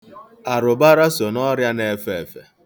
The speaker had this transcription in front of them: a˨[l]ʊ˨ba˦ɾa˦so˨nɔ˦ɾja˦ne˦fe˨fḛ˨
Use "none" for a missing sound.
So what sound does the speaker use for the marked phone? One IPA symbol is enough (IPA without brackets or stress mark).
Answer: ɾ